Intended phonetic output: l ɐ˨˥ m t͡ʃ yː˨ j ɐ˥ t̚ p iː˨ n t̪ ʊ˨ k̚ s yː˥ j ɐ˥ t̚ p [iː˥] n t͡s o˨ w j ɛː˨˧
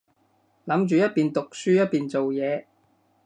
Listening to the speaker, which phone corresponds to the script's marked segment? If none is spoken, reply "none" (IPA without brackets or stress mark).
iː˨